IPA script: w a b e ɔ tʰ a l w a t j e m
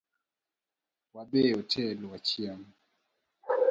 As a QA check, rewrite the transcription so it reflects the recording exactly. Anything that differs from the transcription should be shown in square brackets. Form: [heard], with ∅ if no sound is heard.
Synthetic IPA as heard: w a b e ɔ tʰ [ɛ] l w a [t͡ʃ] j [a] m

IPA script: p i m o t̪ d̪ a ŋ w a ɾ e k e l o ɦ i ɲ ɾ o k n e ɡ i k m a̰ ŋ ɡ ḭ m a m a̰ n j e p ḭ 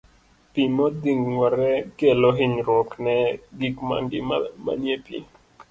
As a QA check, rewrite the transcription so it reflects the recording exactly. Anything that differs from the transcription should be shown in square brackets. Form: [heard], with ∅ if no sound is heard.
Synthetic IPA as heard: p i m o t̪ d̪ [i] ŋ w a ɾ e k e l o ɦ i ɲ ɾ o k n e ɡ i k m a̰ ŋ ɡ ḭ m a m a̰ n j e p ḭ

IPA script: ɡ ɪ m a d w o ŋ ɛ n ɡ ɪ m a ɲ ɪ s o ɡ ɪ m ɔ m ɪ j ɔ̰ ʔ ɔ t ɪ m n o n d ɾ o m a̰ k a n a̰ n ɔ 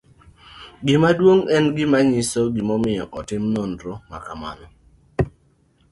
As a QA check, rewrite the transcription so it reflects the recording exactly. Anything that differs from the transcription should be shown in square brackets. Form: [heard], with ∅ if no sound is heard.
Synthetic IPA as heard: ɡ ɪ m a d w o ŋ ɛ n ɡ ɪ m a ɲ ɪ s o ɡ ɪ m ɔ m ɪ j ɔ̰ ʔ ɔ t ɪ m n o n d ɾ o m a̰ k a [m] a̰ n ɔ

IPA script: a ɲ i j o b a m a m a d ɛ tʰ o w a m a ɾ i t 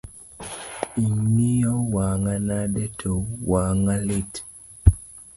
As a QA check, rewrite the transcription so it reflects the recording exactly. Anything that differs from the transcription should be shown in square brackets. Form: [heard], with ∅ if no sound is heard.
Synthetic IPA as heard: [i] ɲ i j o [w] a [ŋ] a [n] a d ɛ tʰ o w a [ŋ] a [l] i t

